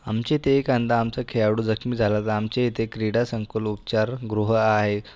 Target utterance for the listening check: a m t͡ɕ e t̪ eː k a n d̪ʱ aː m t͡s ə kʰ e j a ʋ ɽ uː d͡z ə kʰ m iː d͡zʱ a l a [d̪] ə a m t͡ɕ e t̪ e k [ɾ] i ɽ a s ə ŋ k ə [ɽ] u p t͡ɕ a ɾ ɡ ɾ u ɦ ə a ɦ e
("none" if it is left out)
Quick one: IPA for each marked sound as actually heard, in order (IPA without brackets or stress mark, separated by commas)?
t̪, ɾ, l